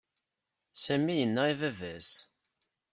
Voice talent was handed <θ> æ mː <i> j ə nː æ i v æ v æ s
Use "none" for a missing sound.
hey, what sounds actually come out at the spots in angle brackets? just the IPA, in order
s, i

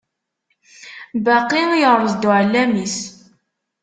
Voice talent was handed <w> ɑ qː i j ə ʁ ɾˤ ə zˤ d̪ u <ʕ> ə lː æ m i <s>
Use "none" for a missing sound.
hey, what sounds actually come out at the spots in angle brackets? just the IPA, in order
b, ʕ, s

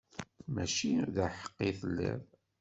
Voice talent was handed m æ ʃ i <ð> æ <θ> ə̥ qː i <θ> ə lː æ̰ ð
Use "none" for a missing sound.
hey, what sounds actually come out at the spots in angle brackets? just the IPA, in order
ð, ħ, θ

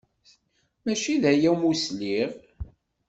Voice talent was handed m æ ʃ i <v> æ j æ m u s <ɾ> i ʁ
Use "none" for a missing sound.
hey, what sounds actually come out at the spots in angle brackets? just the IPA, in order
ð, l

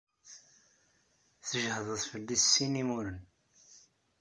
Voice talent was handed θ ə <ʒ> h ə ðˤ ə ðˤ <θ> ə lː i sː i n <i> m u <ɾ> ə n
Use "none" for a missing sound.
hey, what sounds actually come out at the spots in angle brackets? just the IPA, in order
ʒ, f, i, ɾ

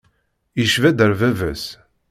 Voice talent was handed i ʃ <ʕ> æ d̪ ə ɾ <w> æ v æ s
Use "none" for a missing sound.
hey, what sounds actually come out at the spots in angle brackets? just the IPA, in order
v, v

